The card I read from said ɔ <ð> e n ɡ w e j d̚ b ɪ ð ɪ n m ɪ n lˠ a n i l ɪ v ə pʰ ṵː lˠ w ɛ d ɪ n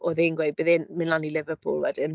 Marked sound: correct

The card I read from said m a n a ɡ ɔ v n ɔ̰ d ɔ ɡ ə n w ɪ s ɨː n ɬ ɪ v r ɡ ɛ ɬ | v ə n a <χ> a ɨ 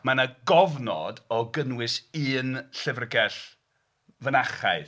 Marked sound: correct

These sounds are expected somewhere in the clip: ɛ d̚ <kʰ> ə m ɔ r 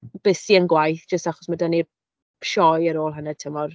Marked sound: incorrect: tʰ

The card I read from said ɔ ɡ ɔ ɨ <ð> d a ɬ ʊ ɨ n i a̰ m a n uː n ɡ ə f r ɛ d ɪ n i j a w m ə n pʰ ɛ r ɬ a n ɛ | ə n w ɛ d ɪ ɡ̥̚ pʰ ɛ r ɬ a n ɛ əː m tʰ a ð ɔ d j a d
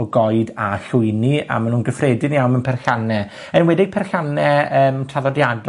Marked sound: incorrect: none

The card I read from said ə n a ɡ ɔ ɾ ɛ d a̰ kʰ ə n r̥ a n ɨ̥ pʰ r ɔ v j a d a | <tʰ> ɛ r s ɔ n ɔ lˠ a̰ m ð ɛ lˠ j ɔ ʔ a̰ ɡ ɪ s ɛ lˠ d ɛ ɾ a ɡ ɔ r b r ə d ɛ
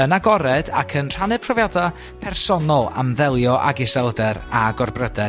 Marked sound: incorrect: pʰ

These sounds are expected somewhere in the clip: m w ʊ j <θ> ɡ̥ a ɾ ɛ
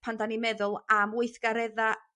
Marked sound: correct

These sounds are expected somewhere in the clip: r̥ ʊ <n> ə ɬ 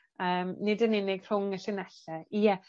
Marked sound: incorrect: ŋ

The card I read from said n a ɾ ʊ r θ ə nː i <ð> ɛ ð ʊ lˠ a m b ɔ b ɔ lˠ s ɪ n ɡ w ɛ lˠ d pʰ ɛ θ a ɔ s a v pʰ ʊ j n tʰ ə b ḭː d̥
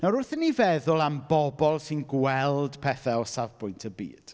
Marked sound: incorrect: v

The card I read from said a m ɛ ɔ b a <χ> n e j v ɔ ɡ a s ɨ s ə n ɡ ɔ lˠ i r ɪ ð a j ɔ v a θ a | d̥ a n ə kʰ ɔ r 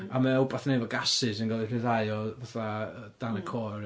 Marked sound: incorrect: θ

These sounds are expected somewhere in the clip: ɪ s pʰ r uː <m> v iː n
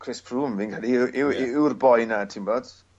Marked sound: correct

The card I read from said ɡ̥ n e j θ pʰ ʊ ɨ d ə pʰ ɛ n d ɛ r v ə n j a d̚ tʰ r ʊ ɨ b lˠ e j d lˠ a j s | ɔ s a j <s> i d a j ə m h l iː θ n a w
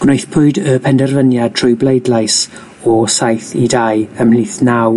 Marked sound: incorrect: θ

